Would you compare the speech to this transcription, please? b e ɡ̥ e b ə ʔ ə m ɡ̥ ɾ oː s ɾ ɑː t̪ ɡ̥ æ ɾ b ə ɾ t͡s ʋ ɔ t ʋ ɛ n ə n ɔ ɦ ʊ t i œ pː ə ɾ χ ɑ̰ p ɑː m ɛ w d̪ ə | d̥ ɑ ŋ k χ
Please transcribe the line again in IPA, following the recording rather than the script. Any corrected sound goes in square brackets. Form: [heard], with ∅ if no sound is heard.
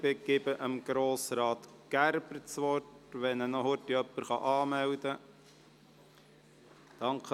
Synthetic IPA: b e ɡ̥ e b ə ʔ ə m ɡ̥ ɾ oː s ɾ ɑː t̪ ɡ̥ æ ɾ b ə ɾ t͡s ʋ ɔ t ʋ ɛ n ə n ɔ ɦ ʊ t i œ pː ə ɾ χ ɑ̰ [ʔ] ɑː m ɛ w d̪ ə | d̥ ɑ ŋ k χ